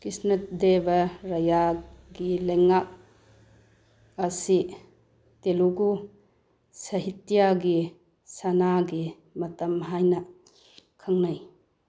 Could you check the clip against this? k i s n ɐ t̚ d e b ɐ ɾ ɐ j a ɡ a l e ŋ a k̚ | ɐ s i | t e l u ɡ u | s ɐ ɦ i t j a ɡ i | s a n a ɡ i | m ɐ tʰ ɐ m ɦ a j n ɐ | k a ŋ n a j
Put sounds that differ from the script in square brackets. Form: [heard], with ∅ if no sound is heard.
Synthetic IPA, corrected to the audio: k i s n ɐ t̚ d e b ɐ ɾ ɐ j a ɡ [i] l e ŋ a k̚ | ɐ s i | t e l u ɡ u | s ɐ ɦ i t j a ɡ i | s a n a ɡ i | m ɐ [t] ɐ m ɦ a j n ɐ | [kʰ] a ŋ n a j